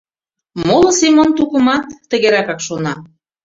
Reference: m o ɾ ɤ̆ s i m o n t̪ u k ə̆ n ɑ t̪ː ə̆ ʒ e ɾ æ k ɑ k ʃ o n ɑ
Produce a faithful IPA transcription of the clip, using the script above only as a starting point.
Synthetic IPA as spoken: m o l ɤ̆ s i m o n t̪ u k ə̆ m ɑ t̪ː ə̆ ɣ e ɾ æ k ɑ k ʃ o n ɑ

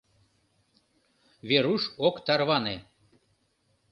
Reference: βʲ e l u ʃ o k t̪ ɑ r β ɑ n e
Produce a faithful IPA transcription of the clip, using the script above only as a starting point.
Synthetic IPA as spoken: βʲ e ɾ u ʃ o k t̪ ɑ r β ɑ n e

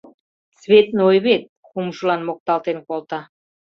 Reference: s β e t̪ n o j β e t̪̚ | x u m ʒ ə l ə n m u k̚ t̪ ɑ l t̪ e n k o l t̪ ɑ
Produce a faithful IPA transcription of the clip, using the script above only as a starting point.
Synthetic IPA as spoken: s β e t̪ n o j β e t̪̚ | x u m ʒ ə l ɑ n m o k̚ t̪ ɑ l t̪ e n k o l t̪ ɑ

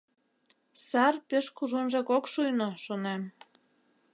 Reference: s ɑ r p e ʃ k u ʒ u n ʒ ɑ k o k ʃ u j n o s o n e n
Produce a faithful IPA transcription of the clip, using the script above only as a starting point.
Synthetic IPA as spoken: s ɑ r p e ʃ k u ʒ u n ʒ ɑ k o k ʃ u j n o ʃ o n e m

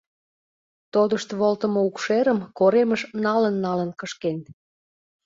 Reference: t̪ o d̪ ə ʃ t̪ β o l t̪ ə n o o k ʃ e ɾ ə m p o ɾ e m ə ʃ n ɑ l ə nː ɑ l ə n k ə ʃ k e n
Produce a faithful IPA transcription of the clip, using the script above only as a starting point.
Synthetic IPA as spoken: t̪ o d̪ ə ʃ t̪ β o l t̪ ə m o u k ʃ e ɾ ə m k o ɾ e m ə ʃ n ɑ l ə nː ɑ l ə n k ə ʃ k e n

